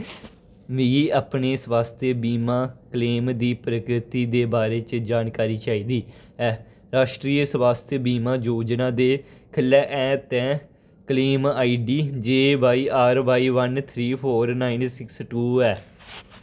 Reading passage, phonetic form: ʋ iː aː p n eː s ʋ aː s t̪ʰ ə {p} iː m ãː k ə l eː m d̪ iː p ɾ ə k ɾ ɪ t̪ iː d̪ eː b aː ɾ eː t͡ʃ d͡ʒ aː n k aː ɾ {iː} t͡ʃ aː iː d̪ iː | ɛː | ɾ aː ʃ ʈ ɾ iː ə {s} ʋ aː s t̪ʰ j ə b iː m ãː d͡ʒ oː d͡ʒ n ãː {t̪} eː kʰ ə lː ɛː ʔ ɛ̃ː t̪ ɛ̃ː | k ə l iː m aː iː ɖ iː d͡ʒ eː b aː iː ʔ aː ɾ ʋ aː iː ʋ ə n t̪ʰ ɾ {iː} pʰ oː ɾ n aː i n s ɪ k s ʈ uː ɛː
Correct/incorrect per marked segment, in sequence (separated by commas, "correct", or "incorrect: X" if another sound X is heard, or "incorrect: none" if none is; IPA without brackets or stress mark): incorrect: b, correct, correct, incorrect: d̪, correct